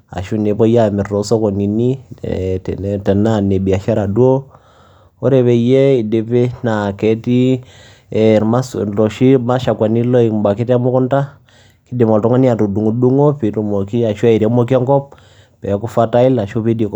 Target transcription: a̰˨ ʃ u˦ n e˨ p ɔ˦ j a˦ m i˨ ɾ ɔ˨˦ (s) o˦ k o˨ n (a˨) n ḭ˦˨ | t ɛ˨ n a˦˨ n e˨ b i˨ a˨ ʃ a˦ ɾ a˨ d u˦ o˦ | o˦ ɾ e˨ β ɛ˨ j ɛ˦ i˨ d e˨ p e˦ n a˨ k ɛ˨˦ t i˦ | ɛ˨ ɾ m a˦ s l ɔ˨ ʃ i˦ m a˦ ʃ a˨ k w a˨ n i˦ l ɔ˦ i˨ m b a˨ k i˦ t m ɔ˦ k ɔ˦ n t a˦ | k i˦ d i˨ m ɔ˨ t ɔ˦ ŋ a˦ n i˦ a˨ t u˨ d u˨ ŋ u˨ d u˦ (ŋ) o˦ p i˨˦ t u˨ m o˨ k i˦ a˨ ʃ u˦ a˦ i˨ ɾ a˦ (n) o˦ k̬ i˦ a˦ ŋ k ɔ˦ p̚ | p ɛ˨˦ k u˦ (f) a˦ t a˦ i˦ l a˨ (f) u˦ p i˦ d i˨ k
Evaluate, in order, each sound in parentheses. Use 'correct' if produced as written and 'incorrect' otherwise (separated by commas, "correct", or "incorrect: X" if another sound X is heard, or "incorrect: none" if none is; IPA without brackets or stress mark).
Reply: correct, incorrect: i˨, correct, incorrect: m, correct, incorrect: ʃ